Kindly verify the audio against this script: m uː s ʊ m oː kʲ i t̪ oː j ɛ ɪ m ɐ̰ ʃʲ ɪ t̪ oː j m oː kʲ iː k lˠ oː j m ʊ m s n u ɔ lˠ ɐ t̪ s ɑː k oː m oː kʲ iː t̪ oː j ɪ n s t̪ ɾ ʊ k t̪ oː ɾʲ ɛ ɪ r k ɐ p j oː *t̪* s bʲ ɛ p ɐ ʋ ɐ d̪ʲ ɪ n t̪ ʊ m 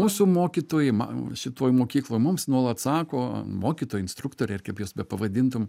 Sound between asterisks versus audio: incorrect: none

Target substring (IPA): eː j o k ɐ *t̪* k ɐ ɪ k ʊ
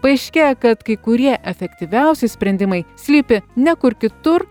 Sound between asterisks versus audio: correct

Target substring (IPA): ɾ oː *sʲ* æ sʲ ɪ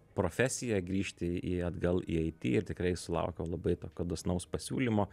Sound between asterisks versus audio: incorrect: fʲ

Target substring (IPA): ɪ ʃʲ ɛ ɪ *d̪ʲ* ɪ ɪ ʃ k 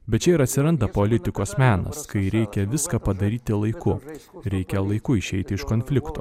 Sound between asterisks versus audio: incorrect: t̪ʲ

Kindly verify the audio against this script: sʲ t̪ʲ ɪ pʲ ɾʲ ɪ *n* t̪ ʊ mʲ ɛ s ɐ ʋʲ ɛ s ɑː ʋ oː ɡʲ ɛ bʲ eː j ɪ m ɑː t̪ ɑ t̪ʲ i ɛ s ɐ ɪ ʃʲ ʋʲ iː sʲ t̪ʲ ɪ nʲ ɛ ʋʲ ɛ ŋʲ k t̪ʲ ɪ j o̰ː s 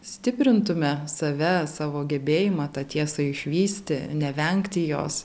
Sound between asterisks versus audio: correct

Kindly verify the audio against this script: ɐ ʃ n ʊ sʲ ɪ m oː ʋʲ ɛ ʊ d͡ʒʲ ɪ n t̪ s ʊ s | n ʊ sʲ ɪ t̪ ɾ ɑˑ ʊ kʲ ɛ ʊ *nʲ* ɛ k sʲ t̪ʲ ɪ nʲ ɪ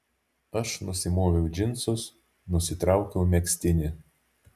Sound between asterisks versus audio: incorrect: mʲ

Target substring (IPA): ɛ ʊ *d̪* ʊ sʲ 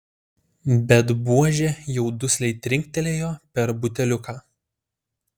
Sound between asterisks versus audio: correct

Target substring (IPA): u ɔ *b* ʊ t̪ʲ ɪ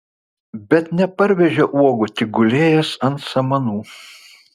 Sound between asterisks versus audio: incorrect: ɡ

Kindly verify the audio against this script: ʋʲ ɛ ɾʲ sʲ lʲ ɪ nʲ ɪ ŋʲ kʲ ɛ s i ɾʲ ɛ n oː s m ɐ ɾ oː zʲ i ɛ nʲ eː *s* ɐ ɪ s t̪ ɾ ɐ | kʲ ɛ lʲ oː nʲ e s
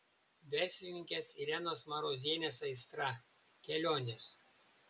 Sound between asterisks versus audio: correct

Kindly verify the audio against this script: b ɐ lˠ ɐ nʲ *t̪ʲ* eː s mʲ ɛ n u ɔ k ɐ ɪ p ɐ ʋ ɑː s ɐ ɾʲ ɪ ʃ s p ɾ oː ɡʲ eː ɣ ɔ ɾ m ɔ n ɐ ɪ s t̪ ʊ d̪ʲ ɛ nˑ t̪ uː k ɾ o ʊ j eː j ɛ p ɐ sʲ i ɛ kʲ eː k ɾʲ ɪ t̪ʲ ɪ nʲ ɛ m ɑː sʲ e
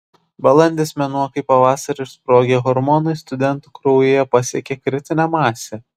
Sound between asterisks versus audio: incorrect: d̪ʲ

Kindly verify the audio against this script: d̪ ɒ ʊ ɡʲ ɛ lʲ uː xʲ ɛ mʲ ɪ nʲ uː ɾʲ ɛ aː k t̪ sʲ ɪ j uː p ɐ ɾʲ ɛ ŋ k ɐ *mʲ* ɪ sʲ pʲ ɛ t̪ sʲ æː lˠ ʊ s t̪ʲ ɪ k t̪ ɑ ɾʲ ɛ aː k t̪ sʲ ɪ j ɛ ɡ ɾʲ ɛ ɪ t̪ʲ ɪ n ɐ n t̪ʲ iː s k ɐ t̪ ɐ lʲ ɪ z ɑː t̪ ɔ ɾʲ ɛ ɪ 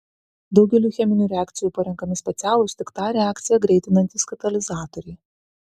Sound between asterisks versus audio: correct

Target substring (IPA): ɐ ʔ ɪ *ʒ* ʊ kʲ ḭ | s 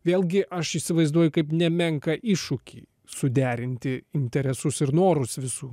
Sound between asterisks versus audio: incorrect: ʃ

